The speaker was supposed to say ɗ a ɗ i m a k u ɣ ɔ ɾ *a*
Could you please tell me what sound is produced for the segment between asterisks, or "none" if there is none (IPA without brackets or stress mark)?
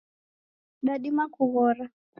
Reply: a